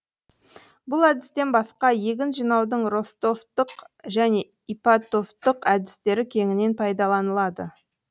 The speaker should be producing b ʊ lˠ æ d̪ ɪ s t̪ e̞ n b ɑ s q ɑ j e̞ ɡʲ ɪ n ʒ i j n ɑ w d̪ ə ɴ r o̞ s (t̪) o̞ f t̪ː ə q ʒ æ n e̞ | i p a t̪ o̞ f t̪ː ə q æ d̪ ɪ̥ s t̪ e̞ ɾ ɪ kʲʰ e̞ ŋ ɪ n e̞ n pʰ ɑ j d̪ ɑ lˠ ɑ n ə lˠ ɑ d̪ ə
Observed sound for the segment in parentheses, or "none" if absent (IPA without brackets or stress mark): t̪